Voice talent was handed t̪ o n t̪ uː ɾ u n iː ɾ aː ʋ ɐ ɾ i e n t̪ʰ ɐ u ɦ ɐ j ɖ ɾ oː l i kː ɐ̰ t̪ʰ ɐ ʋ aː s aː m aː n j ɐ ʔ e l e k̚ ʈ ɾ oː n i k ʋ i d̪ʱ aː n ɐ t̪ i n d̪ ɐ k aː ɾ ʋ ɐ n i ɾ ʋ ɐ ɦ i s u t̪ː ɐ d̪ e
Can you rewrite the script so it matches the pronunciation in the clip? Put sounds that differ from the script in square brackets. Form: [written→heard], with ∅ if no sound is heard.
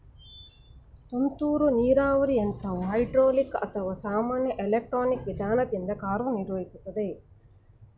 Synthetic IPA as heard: t̪ o n t̪ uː ɾ u n iː ɾ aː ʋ ɐ ɾ i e n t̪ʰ ɐ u ɦ ɐ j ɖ ɾ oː l i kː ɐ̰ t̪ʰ ɐ ʋ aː s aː m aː n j ɐ ʔ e l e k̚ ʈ ɾ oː n i k ʋ i d̪ʱ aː n ɐ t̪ i n d̪ ɐ k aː ɾ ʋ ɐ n i ɾ ʋ ɐ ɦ i s u t̪ː ɐ d̪ e